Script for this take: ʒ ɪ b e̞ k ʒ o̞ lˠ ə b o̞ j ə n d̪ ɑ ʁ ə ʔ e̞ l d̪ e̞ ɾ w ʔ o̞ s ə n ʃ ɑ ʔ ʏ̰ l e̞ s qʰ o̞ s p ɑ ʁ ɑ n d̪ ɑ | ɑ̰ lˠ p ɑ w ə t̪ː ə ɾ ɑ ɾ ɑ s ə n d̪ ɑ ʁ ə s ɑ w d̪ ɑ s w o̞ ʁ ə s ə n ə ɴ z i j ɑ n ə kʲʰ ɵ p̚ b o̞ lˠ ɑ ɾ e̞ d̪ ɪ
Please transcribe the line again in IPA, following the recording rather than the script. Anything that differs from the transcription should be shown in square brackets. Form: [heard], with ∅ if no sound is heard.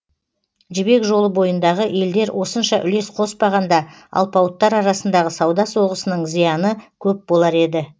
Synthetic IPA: ʒ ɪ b e̞ k ʒ o̞ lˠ ə b o̞ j ə n d̪ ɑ ʁ ə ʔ e̞ l d̪ e̞ ɾ w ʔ o̞ s ə n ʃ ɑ ʔ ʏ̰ l e̞ s qʰ o̞ s p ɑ ʁ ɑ n d̪ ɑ | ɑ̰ lˠ p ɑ w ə t̪ː [ɑ] ɾ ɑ ɾ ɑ s ə n d̪ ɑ ʁ ə s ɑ w d̪ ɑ s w o̞ ʁ ə s ə n ə ɴ z i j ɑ n ə kʲʰ ɵ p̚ b o̞ lˠ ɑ ɾ e̞ d̪ ɪ